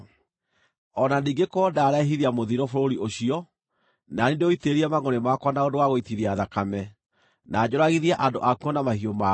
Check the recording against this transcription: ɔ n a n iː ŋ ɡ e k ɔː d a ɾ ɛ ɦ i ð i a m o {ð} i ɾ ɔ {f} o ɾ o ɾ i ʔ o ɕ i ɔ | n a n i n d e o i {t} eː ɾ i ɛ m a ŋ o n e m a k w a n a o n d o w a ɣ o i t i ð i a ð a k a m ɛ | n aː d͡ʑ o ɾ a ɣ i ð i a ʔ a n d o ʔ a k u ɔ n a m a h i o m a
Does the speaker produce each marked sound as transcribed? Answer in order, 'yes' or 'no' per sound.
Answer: yes, yes, yes

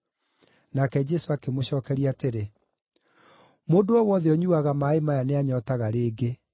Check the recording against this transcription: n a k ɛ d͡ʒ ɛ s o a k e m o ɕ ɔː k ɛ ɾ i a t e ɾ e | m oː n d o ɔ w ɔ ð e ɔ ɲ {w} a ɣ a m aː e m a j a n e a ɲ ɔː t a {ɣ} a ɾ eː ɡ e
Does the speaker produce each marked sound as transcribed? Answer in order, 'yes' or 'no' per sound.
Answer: no, yes

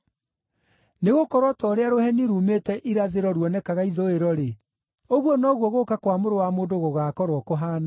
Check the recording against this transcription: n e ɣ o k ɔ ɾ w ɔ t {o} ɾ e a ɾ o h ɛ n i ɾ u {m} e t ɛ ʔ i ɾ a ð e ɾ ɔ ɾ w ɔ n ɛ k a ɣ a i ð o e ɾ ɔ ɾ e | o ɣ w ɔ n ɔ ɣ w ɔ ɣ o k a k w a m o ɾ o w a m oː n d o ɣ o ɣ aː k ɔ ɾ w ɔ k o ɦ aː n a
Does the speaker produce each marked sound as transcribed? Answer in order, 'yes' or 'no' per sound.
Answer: no, yes

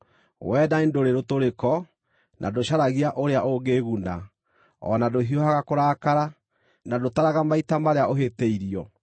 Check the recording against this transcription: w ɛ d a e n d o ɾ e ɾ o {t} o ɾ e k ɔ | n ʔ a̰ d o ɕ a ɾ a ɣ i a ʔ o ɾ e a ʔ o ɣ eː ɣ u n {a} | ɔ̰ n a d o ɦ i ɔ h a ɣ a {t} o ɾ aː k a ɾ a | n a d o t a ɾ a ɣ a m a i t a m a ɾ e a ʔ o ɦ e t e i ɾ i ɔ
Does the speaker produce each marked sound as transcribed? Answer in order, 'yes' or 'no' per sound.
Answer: yes, yes, no

